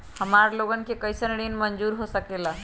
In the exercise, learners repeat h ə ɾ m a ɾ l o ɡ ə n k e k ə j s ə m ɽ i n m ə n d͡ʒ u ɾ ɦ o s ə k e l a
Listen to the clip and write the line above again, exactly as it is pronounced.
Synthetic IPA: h ə m a ɾ l o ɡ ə n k e k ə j s ə n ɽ i n m ə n d͡ʒ u ɾ ɦ o s ə k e l a